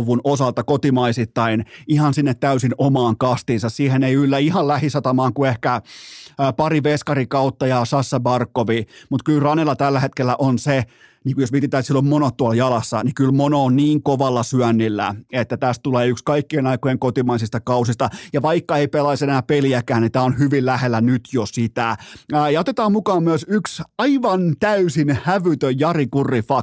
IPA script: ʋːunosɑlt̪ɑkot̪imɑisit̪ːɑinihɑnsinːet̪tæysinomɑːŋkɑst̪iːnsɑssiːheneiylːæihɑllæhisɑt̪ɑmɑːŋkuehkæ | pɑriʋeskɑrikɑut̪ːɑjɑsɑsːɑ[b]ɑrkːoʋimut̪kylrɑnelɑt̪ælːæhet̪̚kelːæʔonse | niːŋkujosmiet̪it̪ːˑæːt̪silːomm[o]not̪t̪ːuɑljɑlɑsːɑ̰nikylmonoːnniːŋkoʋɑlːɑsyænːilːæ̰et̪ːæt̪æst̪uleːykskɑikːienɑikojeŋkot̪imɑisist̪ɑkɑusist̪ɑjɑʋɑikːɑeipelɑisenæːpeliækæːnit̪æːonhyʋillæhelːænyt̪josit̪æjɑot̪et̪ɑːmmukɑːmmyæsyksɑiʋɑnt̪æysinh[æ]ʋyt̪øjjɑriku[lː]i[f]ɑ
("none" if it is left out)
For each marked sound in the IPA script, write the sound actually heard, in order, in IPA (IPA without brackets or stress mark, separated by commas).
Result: b, o, æ, rː, f